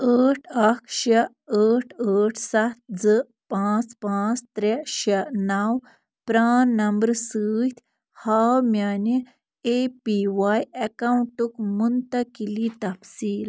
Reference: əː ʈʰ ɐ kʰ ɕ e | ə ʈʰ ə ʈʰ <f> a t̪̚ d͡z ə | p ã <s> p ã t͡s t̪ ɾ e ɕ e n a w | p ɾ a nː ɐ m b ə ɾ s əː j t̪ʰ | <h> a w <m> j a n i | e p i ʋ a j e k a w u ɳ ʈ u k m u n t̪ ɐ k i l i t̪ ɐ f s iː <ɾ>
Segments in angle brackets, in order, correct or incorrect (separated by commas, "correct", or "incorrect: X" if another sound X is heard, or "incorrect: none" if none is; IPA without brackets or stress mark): incorrect: s, incorrect: t͡s, correct, correct, incorrect: l